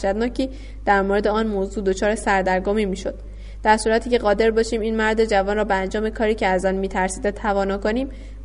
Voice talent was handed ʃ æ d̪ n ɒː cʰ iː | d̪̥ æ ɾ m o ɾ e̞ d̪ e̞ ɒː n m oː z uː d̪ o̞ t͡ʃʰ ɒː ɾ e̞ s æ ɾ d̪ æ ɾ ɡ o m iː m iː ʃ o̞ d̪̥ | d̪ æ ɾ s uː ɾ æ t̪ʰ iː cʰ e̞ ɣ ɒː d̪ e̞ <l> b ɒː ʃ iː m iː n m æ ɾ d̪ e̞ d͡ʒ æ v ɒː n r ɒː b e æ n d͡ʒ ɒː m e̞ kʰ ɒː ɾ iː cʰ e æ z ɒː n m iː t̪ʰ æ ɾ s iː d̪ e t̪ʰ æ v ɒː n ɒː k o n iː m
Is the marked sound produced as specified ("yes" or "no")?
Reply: no